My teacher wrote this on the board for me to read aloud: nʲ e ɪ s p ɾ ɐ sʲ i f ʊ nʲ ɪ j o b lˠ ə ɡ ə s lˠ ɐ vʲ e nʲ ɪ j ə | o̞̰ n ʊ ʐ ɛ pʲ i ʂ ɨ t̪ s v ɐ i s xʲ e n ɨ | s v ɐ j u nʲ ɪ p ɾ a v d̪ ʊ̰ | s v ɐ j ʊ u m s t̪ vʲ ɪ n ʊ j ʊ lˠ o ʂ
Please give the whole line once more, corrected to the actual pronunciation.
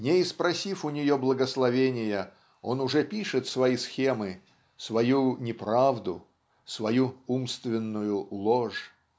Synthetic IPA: nʲ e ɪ s p ɾ ɐ sʲ i f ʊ nʲ ɪ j o b lˠ ə ɡ ə s lˠ ɐ vʲ e nʲ ɪ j ə | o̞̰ n ʊ ʐ ɛ pʲ i ʂ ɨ t̪ s v ɐ i s xʲ e m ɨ | s v ɐ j u nʲ ɪ p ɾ a v d̪ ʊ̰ | s v ɐ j u u m s t̪ vʲ ɪ nː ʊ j ʊ lˠ o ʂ